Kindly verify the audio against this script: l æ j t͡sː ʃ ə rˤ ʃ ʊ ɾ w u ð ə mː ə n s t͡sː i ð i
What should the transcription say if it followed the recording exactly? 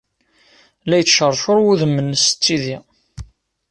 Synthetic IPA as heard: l æ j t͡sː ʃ ə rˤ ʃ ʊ ɾ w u ð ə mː ə n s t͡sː i ð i